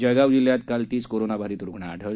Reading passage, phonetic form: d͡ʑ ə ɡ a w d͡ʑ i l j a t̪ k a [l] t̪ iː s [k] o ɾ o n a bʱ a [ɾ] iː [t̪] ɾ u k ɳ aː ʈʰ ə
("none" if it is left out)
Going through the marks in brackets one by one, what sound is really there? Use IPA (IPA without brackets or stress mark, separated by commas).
l, k, ɾ, t̪